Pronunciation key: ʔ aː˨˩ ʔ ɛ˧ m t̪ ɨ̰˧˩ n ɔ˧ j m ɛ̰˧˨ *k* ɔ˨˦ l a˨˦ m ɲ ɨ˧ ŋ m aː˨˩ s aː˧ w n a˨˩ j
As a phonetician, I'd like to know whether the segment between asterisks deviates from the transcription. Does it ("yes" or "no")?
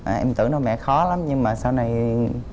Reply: yes